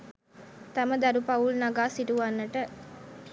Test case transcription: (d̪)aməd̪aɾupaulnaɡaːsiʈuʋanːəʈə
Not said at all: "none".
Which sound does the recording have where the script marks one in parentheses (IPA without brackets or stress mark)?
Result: t̪